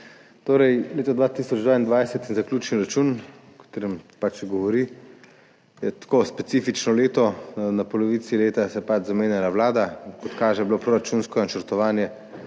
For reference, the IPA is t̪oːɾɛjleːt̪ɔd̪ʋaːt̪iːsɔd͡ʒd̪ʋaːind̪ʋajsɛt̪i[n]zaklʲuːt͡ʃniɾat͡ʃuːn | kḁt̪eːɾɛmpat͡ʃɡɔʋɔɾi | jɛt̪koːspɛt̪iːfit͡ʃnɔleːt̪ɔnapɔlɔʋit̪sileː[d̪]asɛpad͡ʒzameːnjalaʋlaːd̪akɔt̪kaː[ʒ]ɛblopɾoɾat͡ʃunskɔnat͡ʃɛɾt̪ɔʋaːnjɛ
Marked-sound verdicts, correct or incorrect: correct, incorrect, correct

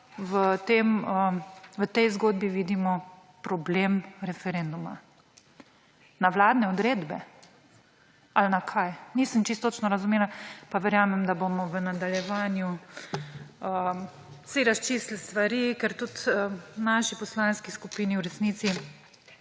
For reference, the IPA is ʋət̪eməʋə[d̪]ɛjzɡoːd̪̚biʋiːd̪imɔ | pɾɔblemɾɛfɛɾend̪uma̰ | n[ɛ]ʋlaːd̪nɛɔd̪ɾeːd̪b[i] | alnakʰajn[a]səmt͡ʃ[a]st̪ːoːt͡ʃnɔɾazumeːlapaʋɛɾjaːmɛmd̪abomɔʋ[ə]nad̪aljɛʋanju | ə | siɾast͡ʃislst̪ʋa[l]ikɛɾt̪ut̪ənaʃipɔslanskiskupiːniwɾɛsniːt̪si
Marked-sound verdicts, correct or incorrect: incorrect, incorrect, incorrect, incorrect, incorrect, correct, incorrect

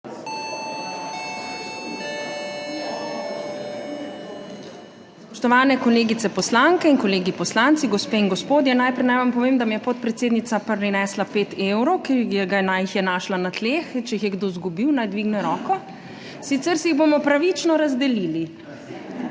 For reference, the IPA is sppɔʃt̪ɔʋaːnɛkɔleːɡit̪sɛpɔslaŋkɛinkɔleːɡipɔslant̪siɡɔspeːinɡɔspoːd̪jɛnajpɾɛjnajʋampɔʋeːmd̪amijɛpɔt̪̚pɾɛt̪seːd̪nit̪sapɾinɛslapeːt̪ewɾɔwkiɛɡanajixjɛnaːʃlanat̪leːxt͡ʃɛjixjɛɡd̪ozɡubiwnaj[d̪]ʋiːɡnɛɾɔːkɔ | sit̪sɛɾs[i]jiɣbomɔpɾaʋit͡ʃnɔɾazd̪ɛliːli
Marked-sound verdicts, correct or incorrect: correct, incorrect

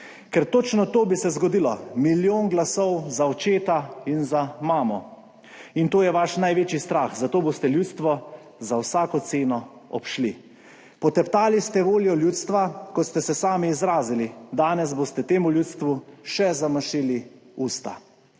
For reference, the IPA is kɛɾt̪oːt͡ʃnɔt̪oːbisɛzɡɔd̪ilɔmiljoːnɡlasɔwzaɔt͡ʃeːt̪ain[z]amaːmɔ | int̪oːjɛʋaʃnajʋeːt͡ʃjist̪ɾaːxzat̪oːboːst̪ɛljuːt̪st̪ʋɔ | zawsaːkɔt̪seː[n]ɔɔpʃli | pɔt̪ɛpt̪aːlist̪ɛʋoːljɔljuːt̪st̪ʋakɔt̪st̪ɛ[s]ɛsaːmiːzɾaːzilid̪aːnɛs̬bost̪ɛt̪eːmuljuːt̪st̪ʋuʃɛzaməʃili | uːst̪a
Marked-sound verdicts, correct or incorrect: correct, correct, correct

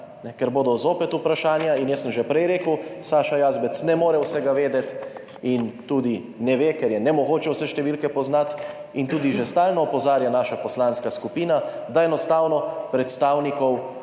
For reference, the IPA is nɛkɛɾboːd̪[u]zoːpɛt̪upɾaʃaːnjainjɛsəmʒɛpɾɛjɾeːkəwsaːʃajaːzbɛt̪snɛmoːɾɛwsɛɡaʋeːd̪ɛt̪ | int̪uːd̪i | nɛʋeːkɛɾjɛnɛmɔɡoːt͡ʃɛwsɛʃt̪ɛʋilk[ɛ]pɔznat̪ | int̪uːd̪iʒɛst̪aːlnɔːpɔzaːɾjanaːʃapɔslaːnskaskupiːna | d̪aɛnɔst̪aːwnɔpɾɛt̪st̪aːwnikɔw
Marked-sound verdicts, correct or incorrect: incorrect, correct

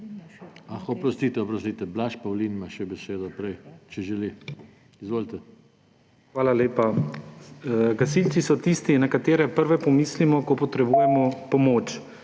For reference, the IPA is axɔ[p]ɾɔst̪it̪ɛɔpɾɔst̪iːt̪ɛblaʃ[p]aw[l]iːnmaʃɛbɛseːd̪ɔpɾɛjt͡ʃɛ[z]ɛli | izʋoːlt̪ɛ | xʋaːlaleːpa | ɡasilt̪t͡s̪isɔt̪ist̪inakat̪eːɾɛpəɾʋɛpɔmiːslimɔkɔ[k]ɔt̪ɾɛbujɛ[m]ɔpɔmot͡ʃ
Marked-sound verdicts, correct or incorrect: correct, correct, correct, incorrect, incorrect, correct

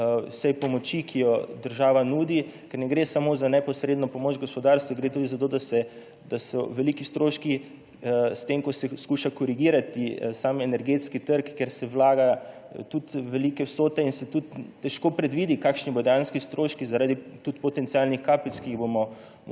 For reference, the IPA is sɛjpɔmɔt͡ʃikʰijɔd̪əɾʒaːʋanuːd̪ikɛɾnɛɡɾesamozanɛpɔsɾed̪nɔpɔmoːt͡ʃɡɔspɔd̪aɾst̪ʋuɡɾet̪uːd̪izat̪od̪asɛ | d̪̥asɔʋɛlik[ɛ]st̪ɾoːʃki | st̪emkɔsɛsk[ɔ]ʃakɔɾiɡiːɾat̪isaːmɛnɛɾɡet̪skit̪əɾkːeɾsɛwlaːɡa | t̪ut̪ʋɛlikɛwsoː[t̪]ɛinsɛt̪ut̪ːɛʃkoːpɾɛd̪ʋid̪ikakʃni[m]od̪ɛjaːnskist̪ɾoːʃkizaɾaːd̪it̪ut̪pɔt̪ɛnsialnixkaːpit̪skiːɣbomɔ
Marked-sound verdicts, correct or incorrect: incorrect, incorrect, correct, incorrect

